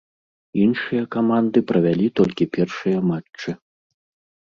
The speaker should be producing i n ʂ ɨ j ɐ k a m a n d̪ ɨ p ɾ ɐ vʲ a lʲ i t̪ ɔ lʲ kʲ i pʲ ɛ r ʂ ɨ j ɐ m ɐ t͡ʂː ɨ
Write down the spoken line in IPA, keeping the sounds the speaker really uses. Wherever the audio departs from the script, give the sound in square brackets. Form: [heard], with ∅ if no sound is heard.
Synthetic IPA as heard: i n ʂ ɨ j ɐ k a m a n d̪ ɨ p ɾ ɐ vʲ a lʲ i t̪ ɔ lʲ kʲ i pʲ ɛ r ʂ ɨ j ɐ m [a] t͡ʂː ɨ